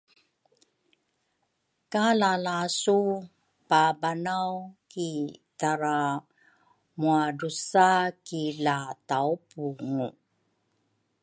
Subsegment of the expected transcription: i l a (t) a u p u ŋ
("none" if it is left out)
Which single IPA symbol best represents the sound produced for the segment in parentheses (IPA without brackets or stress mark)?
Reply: t